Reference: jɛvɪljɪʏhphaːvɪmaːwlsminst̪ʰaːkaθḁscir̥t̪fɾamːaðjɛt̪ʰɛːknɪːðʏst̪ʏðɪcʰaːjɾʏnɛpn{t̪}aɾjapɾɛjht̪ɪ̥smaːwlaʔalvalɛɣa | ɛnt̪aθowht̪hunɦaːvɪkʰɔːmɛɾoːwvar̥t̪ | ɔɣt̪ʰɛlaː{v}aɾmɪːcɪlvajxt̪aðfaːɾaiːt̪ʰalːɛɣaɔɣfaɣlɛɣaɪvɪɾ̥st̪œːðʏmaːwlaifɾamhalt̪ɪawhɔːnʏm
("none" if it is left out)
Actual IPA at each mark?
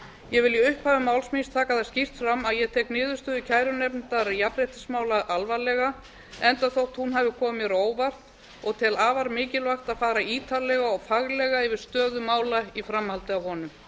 t̪, v

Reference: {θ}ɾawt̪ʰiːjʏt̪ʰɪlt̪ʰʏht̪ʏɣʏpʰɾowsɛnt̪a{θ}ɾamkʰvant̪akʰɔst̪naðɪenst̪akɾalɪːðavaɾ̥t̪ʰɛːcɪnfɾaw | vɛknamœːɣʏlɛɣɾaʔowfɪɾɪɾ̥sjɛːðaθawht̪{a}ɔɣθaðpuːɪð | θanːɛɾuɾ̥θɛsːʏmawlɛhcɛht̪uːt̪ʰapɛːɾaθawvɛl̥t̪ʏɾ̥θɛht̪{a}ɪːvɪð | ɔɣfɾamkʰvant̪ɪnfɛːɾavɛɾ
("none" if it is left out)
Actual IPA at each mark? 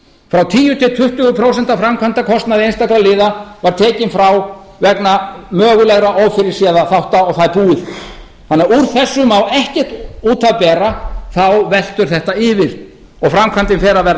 f, f, a, a

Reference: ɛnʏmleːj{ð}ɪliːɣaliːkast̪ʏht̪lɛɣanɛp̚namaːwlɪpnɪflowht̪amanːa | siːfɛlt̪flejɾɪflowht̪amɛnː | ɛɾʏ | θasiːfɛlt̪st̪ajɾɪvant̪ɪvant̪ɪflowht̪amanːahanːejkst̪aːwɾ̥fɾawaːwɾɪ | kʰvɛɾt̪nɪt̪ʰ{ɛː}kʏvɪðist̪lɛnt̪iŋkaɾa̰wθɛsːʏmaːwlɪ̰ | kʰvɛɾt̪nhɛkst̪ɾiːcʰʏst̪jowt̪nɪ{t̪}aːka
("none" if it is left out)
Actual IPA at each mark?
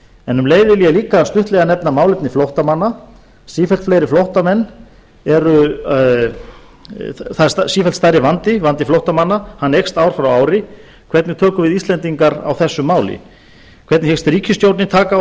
ð, œː, t̪ʰ

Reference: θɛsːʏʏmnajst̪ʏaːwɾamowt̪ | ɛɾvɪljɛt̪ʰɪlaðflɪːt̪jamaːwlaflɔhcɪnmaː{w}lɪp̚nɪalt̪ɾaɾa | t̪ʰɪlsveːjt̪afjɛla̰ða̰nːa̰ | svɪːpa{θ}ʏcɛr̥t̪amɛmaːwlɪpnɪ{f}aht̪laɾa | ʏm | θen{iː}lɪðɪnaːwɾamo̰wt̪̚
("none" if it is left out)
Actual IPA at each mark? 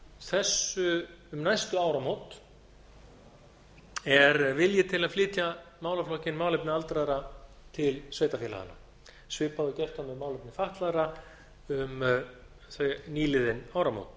w, ð, f, iː

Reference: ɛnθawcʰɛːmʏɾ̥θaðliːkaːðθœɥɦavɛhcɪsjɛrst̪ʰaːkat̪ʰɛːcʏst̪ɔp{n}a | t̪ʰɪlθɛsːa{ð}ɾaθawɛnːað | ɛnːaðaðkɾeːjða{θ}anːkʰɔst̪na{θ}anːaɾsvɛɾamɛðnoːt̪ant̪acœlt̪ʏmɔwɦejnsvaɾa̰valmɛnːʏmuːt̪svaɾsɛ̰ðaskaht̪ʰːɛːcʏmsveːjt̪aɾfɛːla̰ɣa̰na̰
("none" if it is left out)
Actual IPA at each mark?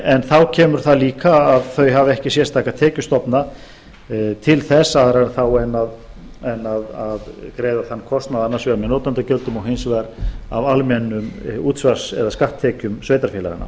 n, ð, θ, ð

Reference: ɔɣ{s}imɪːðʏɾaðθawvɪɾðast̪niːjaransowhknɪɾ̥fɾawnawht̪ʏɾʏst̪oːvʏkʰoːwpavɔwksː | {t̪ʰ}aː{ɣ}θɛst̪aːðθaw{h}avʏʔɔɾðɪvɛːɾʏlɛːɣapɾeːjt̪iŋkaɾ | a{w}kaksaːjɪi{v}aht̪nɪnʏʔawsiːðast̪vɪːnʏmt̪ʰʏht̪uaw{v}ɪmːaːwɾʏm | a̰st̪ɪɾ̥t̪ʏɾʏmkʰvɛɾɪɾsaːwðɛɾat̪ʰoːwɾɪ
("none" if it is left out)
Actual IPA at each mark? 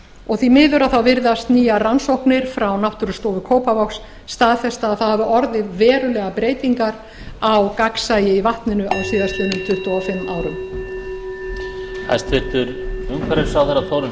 θ, t̪, ð, h, w, v, f

